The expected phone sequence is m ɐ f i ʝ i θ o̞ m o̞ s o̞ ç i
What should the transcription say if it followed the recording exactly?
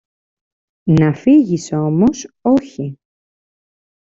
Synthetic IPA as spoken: n ɐ f i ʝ i s o̞ m o̞ s o̞ ç i